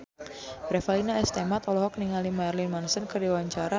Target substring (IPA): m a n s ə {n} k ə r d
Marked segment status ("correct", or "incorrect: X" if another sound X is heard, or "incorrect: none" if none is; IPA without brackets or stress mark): correct